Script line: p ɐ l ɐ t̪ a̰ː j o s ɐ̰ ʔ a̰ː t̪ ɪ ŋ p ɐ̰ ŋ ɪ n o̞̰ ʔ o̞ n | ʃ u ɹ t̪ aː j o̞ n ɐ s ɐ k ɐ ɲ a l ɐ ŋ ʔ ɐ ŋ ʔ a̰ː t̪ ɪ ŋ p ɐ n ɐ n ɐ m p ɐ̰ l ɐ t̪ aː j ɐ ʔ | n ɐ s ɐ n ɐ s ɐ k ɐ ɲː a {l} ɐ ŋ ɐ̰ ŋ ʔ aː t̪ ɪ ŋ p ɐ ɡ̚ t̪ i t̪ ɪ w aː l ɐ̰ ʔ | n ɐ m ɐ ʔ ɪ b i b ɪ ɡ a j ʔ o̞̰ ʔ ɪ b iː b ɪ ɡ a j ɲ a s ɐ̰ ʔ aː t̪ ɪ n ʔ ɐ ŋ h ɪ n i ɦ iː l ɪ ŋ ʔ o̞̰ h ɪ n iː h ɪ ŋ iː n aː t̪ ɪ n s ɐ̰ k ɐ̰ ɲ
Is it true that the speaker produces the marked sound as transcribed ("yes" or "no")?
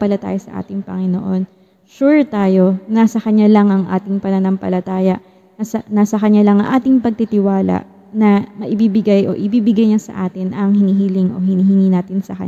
yes